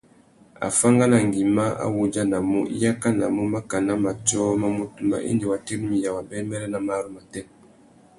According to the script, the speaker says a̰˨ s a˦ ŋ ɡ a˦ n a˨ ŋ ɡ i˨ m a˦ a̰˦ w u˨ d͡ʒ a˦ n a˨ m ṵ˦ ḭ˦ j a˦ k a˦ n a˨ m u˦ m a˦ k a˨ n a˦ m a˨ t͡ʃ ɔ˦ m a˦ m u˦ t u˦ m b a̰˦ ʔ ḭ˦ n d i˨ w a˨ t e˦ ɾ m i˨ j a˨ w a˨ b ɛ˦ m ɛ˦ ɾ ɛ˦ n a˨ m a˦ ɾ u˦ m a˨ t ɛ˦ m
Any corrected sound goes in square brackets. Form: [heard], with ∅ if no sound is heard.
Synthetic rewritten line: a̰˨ [f] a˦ ŋ ɡ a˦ n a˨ ŋ ɡ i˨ m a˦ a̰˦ w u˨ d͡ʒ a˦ n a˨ m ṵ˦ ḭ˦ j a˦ k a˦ n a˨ m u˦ m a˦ k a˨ n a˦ m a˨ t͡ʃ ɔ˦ m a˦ m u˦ t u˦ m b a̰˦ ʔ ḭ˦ n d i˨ w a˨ t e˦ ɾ m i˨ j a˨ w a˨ b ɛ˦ m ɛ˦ ɾ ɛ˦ n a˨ m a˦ ɾ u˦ m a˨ t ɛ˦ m